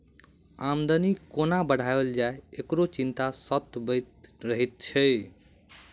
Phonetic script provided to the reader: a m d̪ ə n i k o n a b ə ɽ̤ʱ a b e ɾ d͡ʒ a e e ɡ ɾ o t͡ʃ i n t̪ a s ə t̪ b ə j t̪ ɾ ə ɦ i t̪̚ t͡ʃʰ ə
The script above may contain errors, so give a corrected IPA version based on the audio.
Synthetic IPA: a m d̪ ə n i k o n a b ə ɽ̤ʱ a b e l d͡ʒ a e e k ɾ o t͡ʃ i n t̪ a s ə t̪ b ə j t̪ ɾ ə ɦ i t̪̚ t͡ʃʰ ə